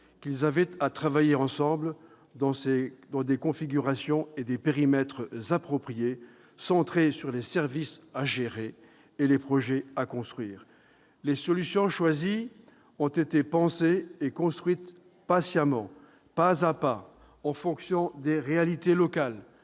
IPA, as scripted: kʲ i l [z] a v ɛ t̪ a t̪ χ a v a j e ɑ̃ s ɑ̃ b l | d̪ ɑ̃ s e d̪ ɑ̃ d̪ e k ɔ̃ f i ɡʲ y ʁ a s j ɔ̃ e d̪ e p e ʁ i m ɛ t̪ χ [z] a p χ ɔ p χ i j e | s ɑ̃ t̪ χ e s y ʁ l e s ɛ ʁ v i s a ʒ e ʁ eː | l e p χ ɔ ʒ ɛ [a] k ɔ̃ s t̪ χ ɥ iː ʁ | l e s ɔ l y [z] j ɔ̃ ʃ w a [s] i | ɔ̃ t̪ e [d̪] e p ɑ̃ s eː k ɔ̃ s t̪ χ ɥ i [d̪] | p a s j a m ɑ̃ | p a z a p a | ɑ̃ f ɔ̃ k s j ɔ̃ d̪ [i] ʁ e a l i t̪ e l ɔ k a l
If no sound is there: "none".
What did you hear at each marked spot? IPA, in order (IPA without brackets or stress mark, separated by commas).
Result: z, z, a, s, z, t̪, t̪, e